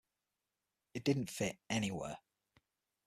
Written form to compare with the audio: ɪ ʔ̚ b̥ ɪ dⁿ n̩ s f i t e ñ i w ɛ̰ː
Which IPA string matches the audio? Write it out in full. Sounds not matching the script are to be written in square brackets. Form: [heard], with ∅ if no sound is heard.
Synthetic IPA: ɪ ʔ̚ [d̥] ɪ dⁿ n̩ [t] f [ɪ] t [ɛ] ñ i w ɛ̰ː

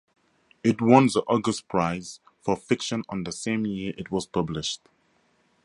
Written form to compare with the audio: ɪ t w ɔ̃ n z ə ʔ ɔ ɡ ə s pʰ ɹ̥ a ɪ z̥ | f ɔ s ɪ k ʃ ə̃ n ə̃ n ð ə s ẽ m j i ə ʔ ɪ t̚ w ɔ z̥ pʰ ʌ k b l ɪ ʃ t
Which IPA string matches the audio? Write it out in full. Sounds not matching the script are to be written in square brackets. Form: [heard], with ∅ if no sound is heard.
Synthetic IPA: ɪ t w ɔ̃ n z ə ʔ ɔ ɡ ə s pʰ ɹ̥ a ɪ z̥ | f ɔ [f] ɪ k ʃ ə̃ n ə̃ n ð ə s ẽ m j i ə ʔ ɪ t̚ w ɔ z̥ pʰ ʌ [∅] b l ɪ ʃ t

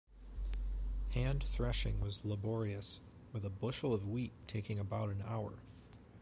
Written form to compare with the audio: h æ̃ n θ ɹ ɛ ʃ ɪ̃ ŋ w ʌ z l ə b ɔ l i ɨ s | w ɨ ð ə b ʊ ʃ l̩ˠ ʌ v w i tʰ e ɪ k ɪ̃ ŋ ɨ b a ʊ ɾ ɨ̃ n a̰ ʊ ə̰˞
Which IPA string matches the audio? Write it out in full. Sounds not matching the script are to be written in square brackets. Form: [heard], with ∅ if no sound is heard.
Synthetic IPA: h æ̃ n θ ɹ ɛ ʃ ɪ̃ ŋ w ʌ z l ə b ɔ [ɹ] i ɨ s | w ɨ ð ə b ʊ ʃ l̩ˠ ʌ v w i tʰ e ɪ k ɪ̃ ŋ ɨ b a ʊ ɾ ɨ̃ n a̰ ʊ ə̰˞

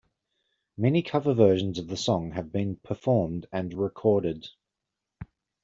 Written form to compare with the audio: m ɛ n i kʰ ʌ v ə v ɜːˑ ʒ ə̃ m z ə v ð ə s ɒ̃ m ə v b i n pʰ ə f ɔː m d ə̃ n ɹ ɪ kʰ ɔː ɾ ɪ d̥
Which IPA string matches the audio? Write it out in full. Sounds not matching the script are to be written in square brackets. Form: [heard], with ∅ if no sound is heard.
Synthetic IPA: m ɛ n i kʰ ʌ v ə v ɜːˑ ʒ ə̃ [n] z ə v ð ə s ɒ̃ [ŋ] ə v b [ĩ] n pʰ ə f ɔː m d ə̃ n ɹ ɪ kʰ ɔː ɾ ɪ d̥

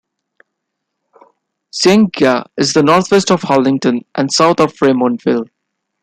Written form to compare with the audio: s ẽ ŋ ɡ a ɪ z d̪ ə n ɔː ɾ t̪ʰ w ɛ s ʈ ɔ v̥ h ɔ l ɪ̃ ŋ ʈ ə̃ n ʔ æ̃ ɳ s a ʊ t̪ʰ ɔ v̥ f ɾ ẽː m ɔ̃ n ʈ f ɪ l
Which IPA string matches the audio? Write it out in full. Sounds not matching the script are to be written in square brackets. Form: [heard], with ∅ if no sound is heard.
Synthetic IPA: s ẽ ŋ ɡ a ɪ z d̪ ə n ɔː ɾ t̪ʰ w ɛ s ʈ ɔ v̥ h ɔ l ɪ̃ ŋ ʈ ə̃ n ʔ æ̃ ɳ s a ʊ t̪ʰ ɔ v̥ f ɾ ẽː m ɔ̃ n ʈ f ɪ l

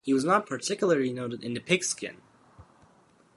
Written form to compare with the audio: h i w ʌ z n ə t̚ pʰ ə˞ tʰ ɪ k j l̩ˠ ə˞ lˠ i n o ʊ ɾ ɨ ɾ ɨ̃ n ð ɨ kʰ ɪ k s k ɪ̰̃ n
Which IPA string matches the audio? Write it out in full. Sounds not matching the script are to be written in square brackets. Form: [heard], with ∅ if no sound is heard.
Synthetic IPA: h i w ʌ z n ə t̚ pʰ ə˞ tʰ ɪ k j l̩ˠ ə˞ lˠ i n o ʊ ɾ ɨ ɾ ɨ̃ n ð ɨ [pʰ] ɪ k s k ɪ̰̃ n

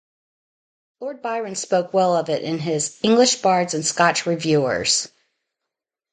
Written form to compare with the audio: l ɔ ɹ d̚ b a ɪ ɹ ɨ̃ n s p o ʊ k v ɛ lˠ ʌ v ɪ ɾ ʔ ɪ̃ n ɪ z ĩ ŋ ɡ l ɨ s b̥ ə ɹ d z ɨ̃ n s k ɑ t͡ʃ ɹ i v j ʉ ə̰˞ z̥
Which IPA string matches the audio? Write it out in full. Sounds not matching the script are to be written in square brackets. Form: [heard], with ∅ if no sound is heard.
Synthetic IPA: l ɔ ɹ d̚ b a ɪ ɹ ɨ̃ n s p o ʊ k [w] ɛ lˠ ʌ v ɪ ɾ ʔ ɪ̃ n ɪ z [ɪ̃] ŋ ɡ l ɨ [ʃ] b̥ [ɑ] ɹ d z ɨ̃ n s k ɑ t͡ʃ ɹ i v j ʉ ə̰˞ z̥

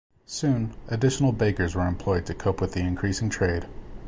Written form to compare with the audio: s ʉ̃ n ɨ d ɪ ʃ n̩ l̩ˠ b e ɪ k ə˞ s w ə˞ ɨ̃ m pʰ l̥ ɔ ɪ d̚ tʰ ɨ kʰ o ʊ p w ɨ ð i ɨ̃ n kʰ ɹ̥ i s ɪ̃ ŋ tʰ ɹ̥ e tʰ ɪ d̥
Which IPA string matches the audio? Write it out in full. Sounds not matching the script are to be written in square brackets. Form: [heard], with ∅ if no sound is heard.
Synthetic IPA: s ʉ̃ n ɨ d ɪ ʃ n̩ l̩ˠ b e ɪ k ə˞ [z] w ə˞ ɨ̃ m pʰ l̥ ɔ ɪ d̚ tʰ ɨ kʰ o ʊ p w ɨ ð i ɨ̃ n kʰ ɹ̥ i s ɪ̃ ŋ tʰ ɹ̥ e [∅] ɪ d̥

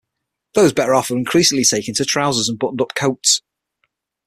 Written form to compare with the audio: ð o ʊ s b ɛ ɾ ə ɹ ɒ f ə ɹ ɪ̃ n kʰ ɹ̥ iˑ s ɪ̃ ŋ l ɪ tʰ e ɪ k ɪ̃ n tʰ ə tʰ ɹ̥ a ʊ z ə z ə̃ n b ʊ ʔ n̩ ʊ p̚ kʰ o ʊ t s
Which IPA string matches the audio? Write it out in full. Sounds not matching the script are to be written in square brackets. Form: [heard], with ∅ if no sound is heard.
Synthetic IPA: ð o ʊ [z] b ɛ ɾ ə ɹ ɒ f ə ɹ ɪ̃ n kʰ ɹ̥ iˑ s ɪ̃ ŋ l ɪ tʰ e ɪ k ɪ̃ n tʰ ə tʰ ɹ̥ a ʊ z ə z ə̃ n b ʊ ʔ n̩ ʊ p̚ kʰ o ʊ t s

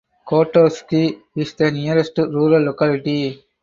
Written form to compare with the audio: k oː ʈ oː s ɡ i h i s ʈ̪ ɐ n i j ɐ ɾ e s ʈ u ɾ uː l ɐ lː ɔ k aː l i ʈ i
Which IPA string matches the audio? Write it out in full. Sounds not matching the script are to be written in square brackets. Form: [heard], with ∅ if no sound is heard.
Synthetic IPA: k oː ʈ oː s [k] i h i s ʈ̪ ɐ n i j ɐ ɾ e s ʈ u ɾ uː [ɾ] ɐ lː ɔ k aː l i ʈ i

